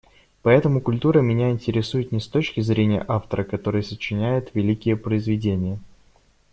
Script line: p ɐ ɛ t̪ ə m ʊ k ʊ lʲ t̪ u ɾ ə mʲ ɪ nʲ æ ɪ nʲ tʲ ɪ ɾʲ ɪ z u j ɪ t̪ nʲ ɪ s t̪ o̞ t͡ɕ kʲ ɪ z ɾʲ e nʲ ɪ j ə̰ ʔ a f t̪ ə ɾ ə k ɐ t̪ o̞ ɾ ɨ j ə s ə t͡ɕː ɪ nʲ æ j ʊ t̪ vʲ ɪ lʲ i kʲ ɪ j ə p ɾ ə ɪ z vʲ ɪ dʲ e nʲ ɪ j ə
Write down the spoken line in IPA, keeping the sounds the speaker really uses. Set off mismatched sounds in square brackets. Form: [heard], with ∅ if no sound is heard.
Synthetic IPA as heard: p ɐ ɛ t̪ ə m ʊ k ʊ lʲ t̪ u ɾ ə mʲ ɪ nʲ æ ɪ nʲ tʲ ɪ ɾʲ ɪ [s] u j ɪ t̪ nʲ ɪ s t̪ o̞ t͡ɕ kʲ ɪ z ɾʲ e nʲ ɪ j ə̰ ʔ a f t̪ ə ɾ ə k ɐ t̪ o̞ ɾ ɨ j ə s ə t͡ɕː ɪ nʲ æ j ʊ t̪ vʲ ɪ lʲ i kʲ ɪ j ə p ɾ ə ɪ z vʲ ɪ dʲ e nʲ ɪ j ə